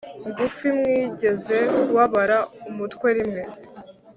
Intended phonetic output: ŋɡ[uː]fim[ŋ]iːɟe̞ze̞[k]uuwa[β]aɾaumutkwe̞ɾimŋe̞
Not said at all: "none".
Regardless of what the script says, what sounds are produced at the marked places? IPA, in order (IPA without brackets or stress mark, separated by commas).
u, ŋ, none, β